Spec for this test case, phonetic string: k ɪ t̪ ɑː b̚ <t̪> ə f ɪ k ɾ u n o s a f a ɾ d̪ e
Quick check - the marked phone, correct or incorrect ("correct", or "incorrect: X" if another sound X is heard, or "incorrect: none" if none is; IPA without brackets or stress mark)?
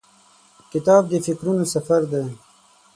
incorrect: d̪